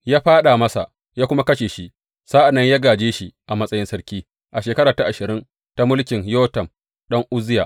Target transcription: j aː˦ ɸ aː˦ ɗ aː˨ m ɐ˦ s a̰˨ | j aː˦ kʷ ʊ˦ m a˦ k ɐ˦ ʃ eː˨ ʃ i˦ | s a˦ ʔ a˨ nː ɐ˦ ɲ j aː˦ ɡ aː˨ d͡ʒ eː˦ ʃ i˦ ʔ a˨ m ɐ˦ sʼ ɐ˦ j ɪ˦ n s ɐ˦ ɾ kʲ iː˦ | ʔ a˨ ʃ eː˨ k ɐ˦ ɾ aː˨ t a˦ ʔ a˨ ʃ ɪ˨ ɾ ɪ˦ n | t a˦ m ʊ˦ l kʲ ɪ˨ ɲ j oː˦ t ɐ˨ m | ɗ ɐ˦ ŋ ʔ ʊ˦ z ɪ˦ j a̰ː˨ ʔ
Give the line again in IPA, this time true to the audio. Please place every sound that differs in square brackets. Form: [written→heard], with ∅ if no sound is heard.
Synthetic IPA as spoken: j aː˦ ɸ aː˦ ɗ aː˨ m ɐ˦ s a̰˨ | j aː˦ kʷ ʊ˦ m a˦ k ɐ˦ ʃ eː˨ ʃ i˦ | s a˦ ʔ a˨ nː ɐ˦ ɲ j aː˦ ɡ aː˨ d͡ʒ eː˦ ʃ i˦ ʔ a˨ m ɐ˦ sʼ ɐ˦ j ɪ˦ n s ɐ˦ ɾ kʲ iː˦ | ʔ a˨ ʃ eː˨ k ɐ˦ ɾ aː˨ t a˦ ʔ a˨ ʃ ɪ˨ ɾ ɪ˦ n | t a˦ m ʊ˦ l kʲ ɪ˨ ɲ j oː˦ t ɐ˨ m | ɗ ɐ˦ ŋ ʔ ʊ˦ z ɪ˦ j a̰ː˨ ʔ